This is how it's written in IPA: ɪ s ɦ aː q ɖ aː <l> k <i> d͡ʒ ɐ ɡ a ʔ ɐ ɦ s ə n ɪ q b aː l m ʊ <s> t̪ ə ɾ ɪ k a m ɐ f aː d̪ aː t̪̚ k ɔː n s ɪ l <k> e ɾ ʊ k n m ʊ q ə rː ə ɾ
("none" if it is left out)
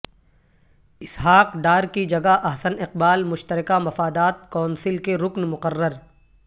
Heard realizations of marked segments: ɾ, i, ʃ, k

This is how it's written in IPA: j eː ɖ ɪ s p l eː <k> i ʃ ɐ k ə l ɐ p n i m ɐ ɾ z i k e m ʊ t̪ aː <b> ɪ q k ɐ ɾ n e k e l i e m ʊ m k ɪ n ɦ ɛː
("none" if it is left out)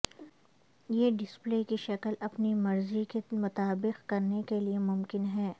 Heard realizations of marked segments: k, b

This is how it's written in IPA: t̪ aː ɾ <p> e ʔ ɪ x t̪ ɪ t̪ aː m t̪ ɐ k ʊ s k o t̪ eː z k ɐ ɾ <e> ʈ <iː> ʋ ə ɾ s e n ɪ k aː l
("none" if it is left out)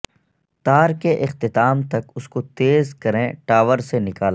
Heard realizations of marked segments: k, ẽ, aː

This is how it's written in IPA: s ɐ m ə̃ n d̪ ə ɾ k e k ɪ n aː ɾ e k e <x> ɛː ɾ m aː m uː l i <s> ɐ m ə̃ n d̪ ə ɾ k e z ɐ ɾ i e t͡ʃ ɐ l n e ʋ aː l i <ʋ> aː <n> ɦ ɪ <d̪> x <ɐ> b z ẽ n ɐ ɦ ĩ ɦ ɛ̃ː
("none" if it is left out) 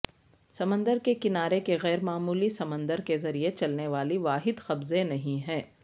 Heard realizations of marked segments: ɣ, s, ʋ, none, d̪, ɐ

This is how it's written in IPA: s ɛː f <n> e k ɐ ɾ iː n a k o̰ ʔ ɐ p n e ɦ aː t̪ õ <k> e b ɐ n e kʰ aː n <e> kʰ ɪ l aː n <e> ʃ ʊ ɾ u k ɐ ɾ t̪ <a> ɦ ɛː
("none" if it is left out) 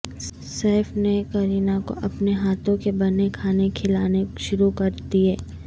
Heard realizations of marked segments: n, k, e, e, i

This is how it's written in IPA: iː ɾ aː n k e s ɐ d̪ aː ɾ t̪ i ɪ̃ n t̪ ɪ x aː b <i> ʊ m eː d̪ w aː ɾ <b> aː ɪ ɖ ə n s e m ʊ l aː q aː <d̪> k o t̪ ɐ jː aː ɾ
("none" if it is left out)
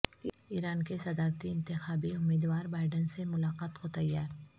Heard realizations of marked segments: i, b, t̪

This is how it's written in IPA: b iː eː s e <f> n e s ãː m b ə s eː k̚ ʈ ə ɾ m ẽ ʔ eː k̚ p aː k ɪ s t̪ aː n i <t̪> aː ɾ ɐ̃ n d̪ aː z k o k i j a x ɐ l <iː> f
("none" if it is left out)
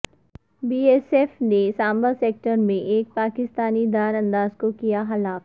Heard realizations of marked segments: f, d̪, aː

